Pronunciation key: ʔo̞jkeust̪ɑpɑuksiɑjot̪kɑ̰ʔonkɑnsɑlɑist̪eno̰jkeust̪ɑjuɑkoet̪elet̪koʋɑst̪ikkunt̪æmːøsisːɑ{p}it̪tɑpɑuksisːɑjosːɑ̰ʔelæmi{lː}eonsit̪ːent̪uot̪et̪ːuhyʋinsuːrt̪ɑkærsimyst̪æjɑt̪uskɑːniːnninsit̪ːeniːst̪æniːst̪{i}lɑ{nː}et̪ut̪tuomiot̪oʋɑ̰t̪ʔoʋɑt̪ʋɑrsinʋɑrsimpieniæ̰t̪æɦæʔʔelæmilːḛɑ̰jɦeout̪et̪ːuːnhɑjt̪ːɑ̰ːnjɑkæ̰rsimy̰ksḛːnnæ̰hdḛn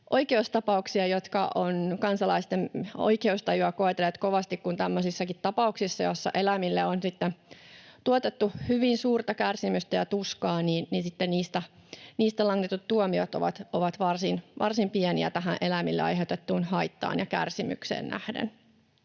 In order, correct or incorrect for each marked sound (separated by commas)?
incorrect, correct, incorrect, incorrect